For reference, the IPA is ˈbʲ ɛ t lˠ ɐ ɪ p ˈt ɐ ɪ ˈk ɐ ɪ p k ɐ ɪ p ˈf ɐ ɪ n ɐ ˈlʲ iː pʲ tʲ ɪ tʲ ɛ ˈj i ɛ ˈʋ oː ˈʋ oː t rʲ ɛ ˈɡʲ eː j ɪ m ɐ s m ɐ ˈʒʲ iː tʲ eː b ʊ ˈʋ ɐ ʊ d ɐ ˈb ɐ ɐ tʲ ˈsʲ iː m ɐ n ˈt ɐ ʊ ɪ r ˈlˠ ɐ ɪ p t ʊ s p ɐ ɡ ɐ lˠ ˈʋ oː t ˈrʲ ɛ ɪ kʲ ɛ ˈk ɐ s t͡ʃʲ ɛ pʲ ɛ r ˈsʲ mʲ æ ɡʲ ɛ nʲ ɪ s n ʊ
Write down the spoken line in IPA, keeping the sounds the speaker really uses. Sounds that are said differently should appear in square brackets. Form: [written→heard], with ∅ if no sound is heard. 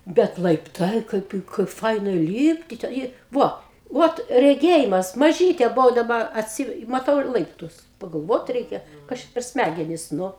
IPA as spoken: ˈbʲ ɛ t lˠ ɐ ɪ p ˈt ɐ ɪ ˈk ɐ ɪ p k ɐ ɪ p ˈf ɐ ɪ n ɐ ˈlʲ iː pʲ tʲ ɪ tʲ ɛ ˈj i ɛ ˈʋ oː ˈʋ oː t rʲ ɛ ˈɡʲ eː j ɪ m ɐ s m ɐ ˈʒʲ iː tʲ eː b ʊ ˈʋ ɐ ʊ d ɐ ˈb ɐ ɐ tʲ ˈsʲ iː m ɐ [n→∅] ˈt ɐ ʊ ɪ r ˈlˠ ɐ ɪ p t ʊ s p ɐ ɡ ɐ lˠ ˈʋ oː t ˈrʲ ɛ ɪ kʲ ɛ ˈk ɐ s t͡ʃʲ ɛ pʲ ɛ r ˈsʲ mʲ æ ɡʲ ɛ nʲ ɪ s n ʊ